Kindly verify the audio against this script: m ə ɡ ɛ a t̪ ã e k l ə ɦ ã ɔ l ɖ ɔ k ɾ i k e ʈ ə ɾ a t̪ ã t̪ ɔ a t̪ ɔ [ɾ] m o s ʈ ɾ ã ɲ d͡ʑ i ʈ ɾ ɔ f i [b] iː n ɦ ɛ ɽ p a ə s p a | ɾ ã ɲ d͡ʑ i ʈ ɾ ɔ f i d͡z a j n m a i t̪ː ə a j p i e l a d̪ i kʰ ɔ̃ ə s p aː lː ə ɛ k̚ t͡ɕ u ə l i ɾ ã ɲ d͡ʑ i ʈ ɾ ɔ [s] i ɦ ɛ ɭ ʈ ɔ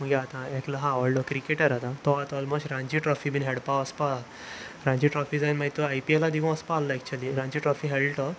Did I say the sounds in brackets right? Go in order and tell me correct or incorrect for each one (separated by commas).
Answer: incorrect, correct, incorrect